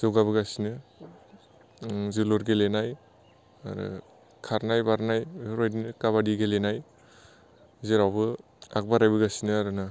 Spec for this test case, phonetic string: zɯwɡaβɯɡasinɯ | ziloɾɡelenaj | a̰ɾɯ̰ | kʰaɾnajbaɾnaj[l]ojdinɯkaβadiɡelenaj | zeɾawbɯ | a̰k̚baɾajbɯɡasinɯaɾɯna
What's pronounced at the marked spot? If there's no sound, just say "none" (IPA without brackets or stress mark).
ɾ